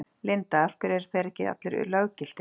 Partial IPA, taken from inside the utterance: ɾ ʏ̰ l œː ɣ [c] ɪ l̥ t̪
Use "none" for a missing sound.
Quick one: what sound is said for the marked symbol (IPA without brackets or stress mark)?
c